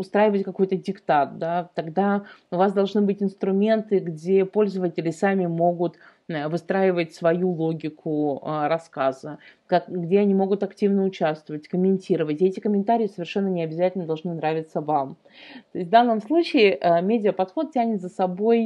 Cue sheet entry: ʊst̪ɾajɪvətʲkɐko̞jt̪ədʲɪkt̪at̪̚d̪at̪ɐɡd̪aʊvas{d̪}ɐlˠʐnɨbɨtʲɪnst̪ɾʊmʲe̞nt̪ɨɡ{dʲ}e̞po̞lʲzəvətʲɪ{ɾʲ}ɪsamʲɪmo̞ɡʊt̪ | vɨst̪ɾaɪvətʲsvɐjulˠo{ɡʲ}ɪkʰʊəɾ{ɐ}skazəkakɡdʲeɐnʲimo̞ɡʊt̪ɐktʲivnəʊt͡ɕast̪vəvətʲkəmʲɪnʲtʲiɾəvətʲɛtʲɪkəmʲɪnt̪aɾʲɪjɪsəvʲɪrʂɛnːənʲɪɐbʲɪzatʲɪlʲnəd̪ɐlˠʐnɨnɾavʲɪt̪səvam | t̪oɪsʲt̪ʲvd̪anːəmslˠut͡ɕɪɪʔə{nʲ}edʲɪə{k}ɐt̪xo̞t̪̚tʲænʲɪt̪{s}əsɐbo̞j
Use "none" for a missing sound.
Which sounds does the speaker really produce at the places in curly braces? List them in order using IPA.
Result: d̪, dʲ, lʲ, ɡʲ, ɐ, mʲ, p, z

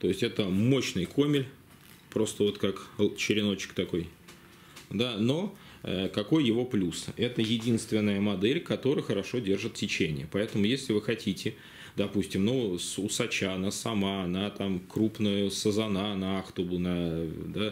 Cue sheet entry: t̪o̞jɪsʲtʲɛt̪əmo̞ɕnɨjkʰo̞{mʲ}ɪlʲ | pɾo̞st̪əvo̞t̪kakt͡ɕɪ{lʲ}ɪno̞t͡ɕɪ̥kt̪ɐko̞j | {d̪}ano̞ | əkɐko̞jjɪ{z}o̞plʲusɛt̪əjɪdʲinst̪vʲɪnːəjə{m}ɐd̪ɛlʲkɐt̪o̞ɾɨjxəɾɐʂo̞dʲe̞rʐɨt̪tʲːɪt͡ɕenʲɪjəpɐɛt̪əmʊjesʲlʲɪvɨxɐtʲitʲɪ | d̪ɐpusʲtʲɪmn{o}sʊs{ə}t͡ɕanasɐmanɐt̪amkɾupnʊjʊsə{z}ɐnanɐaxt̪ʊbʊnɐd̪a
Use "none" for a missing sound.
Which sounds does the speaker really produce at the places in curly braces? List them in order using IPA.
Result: mʲ, ɾʲ, d̪, v, m, u, ɐ, z

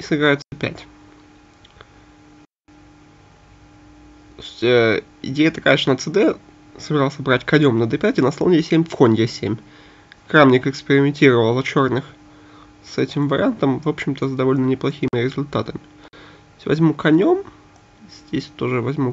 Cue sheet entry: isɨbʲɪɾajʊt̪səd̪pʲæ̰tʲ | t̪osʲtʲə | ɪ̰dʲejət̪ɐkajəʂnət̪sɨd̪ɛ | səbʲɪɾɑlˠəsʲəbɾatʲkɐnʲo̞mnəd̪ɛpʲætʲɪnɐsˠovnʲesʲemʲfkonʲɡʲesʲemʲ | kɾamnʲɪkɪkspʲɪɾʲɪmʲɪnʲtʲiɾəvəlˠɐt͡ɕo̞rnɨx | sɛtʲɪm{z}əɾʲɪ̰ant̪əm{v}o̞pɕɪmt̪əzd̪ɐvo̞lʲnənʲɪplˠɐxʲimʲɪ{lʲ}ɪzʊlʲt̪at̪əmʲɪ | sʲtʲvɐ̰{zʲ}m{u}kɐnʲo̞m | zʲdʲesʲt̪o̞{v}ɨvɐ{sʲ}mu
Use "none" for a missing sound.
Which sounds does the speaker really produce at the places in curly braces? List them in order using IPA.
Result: v, v, ɾʲ, zʲ, u, ʐ, zʲ

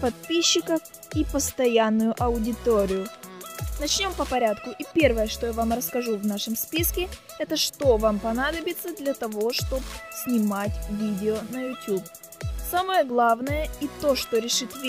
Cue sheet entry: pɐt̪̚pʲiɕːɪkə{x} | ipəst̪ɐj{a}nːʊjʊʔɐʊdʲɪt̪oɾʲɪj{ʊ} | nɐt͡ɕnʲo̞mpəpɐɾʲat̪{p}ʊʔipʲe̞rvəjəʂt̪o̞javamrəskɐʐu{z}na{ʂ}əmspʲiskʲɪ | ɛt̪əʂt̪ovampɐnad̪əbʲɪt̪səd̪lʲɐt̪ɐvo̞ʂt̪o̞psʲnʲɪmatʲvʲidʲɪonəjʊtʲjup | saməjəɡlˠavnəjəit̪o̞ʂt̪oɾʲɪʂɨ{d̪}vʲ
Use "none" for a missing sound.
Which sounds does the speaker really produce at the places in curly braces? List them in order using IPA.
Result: f, a, ʊ, k, v, ʂ, t̪

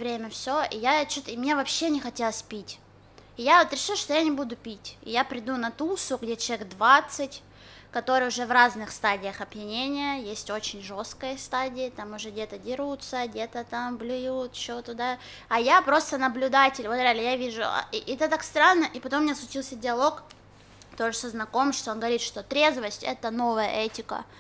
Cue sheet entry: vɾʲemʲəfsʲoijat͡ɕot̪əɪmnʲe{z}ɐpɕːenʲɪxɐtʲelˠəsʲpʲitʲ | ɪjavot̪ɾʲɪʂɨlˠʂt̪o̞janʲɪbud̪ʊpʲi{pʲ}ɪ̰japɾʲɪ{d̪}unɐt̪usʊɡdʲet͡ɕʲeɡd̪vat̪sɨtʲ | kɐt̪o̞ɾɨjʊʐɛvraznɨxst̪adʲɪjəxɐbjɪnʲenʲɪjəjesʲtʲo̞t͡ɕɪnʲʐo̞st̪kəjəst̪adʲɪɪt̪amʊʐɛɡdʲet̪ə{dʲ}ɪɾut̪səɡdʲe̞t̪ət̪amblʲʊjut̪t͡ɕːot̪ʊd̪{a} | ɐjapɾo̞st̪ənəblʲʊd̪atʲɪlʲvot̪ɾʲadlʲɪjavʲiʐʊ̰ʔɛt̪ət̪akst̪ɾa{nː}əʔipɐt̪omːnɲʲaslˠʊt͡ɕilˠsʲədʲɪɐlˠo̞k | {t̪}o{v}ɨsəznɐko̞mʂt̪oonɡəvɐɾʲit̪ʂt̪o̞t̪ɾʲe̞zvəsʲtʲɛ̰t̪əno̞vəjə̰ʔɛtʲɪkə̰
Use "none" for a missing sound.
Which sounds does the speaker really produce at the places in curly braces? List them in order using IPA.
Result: v, tʲ, d̪, dʲ, a, nː, t̪, ʐ

